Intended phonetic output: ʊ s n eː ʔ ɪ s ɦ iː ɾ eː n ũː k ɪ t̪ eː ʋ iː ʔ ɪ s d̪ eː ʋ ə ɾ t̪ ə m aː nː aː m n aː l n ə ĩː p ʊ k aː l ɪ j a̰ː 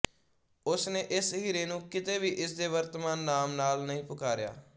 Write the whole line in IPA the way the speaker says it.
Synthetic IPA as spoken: ʊ s n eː ʔ ɪ s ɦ iː ɾ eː n ũː k ɪ t̪ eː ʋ iː ʔ ɪ s d̪ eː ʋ ə ɾ t̪ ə m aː nː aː m n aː l n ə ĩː p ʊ k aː ɾ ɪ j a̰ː